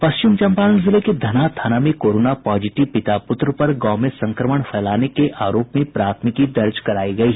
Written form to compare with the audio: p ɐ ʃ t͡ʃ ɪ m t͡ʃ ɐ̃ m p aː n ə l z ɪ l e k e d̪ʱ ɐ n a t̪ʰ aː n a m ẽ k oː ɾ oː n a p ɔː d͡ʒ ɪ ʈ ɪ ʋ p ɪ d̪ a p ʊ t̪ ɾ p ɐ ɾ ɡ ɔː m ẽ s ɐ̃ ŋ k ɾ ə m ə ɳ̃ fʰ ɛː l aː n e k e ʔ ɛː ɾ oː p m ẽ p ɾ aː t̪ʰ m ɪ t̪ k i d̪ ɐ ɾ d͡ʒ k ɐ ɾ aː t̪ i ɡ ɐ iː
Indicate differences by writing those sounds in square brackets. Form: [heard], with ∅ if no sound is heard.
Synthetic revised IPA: p ɐ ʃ t͡ʃ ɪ m t͡ʃ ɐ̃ m p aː n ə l z ɪ l e k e d̪ʱ ɐ n a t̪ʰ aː n a m ẽ k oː ɾ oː n a p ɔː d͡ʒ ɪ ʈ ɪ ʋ p ɪ [t̪] a p ʊ t̪ ɾ p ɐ ɾ ɡ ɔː m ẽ s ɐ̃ ŋ k ɾ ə m ə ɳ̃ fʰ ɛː l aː n e k e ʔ [aː] ɾ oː p m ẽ p ɾ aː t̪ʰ m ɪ [∅] k i d̪ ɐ ɾ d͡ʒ k ɐ ɾ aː [∅] i ɡ ɐ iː